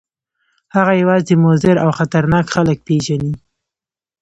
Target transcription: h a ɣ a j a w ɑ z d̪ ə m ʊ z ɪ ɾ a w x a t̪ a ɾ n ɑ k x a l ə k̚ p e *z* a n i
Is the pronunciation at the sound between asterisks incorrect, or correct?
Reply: incorrect: ʒ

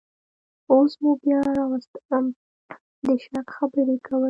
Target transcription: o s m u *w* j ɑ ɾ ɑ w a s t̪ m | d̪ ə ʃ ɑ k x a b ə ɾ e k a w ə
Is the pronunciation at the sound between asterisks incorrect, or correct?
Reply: incorrect: b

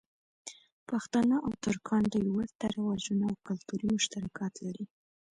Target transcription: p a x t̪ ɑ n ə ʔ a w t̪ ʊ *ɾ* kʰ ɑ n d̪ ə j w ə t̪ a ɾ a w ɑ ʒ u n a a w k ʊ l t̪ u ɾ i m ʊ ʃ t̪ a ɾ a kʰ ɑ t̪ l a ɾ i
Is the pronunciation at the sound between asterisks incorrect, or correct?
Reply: correct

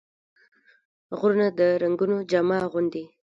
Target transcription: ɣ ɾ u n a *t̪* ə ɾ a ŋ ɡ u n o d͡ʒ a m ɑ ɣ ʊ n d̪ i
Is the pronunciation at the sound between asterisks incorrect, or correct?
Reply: incorrect: d̪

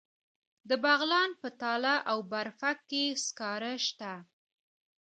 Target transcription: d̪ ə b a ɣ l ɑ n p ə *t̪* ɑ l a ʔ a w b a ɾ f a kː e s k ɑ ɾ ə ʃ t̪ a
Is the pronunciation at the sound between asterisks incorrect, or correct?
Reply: correct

